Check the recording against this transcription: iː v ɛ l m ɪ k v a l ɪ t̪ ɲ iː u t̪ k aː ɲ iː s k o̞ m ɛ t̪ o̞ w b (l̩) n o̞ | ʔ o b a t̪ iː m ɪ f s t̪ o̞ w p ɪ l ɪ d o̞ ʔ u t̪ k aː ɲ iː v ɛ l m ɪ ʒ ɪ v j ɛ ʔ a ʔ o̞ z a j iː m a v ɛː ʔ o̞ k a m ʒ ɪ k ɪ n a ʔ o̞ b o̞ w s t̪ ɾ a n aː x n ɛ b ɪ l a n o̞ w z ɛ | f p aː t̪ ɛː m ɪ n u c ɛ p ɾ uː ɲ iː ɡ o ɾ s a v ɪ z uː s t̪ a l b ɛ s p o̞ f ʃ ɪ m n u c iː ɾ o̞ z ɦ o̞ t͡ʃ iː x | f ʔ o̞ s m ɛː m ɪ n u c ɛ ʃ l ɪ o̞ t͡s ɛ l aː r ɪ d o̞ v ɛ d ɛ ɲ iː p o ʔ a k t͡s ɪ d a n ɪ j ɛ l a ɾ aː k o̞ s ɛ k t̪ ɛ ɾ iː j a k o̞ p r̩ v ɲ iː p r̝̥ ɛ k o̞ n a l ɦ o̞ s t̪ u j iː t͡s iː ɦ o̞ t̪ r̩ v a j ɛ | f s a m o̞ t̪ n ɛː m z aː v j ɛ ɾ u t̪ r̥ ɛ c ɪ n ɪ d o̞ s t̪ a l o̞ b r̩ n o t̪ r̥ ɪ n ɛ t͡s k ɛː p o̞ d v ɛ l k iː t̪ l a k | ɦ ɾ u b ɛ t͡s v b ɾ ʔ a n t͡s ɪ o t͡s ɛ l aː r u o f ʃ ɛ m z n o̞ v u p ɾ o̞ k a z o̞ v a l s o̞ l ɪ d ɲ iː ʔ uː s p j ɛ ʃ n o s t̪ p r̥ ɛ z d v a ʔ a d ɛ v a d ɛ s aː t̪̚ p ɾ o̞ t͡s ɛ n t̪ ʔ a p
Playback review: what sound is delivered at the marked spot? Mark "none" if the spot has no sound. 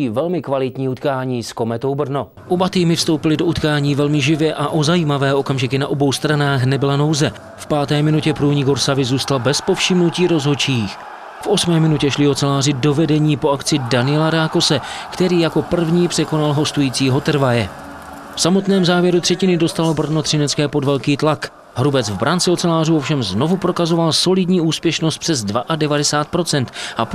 r̩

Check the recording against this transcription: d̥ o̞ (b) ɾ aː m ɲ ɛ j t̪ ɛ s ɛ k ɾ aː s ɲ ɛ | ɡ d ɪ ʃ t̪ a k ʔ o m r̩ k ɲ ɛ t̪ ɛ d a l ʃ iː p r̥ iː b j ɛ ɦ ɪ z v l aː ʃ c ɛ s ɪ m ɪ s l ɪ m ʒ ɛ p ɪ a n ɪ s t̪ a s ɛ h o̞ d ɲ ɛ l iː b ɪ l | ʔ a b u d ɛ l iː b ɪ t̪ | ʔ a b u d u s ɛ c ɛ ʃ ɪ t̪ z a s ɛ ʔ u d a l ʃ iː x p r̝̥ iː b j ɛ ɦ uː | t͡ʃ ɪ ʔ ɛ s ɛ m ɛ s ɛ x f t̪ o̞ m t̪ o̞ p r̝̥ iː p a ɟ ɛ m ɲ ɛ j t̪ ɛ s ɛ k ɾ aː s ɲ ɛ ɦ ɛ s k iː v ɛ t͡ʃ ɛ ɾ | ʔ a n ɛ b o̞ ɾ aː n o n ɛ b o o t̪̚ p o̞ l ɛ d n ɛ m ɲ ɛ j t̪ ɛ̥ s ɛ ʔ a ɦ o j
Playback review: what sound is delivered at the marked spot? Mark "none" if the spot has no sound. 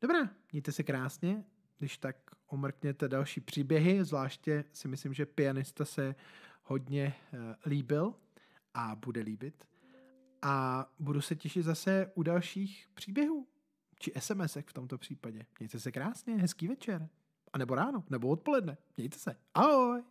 b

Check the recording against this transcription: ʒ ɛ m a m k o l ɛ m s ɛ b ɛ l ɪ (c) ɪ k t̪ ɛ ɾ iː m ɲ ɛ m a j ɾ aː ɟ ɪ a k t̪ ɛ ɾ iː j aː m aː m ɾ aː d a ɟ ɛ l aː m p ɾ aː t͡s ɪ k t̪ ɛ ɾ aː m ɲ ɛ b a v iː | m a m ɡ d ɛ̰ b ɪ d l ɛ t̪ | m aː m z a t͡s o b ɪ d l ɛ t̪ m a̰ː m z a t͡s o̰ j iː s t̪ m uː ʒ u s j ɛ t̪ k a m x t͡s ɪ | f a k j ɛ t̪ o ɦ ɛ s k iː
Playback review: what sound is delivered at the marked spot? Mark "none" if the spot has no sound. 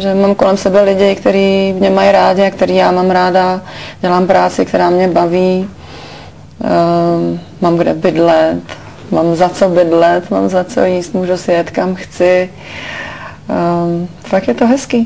ɟ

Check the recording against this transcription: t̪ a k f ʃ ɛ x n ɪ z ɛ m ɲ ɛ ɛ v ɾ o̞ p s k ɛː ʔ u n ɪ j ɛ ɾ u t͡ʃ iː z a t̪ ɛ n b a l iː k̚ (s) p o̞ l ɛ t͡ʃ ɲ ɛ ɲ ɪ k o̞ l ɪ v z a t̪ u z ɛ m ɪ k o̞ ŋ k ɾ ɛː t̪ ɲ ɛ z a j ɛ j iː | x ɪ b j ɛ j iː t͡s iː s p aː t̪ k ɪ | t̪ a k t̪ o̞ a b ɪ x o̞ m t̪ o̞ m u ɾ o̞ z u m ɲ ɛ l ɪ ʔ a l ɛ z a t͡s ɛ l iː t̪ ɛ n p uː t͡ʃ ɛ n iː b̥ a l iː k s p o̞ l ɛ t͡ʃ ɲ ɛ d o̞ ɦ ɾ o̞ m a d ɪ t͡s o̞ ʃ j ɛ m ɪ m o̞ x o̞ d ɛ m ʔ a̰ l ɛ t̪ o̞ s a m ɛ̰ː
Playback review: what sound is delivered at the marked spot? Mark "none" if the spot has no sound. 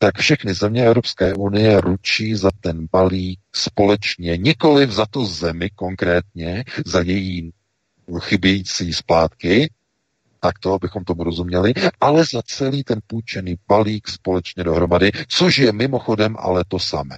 s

